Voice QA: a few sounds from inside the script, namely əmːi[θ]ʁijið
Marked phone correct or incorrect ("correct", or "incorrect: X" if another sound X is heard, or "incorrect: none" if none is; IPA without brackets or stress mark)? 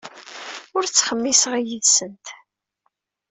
incorrect: s